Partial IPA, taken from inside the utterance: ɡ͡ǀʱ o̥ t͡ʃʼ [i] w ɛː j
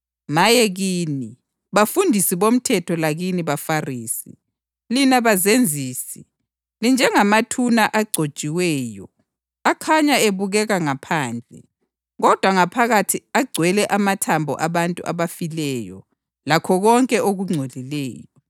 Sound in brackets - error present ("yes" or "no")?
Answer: no